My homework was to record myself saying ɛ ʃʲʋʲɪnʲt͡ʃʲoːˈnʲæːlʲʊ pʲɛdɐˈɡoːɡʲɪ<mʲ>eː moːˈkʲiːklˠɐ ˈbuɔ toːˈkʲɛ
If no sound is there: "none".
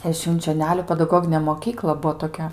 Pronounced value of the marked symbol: nʲ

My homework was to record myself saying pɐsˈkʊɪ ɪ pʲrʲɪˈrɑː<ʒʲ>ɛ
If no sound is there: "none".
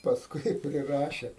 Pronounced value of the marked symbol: ʃʲ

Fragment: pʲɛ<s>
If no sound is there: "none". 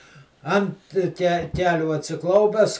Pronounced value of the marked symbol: s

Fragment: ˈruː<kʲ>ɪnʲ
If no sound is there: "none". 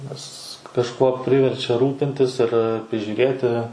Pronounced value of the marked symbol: pʲ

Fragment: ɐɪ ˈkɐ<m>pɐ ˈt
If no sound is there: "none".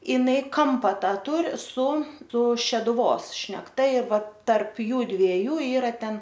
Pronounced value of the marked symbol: m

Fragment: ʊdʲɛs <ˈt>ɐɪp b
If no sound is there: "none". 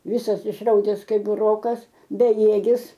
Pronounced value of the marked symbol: k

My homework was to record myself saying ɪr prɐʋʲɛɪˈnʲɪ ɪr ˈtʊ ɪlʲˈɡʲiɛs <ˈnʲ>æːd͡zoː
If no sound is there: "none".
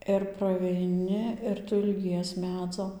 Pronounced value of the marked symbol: mʲ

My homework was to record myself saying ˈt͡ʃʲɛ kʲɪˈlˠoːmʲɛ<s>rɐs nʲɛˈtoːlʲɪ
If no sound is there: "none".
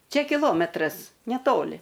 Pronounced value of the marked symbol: t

